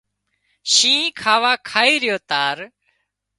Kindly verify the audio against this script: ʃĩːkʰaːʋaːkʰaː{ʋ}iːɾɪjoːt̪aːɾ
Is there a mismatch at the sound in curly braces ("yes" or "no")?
yes